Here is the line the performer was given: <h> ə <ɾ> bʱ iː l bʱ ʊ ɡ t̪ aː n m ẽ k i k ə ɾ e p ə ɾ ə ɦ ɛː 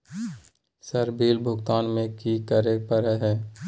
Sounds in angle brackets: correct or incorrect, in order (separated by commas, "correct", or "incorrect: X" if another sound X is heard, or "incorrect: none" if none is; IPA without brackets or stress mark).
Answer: incorrect: s, correct